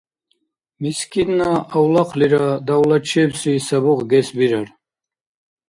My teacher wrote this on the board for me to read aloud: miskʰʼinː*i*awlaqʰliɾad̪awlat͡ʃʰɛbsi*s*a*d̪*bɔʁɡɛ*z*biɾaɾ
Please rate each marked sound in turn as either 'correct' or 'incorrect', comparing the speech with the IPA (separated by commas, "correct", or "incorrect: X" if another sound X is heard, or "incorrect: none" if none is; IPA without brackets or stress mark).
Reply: incorrect: a, correct, incorrect: none, incorrect: s